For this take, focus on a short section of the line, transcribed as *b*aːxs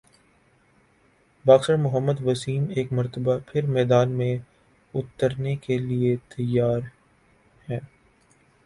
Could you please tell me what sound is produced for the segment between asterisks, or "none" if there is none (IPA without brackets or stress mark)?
b